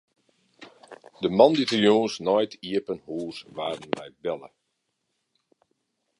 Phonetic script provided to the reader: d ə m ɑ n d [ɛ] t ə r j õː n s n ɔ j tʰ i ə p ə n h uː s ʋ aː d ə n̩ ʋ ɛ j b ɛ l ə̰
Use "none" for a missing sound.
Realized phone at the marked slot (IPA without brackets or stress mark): i